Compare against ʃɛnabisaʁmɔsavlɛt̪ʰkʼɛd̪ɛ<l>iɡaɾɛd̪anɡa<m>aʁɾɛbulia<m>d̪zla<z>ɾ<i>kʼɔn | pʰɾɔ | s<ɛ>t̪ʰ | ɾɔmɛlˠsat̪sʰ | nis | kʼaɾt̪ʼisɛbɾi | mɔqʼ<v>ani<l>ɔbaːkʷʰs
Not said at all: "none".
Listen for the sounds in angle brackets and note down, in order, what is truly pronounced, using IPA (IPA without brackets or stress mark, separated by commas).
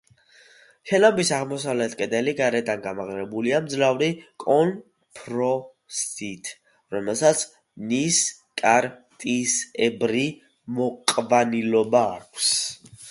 l, m, m, v, i, i, v, l